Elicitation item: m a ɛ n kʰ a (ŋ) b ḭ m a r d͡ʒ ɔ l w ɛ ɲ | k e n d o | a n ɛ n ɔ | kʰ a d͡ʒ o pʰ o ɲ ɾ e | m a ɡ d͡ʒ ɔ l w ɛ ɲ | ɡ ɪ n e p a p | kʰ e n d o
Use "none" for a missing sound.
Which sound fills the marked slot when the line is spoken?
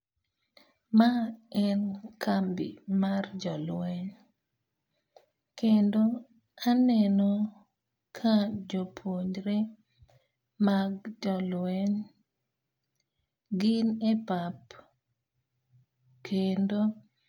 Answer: m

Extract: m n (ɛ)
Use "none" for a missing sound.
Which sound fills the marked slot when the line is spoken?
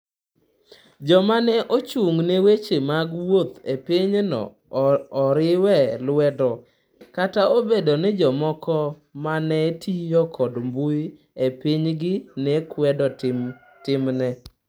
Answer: ɛ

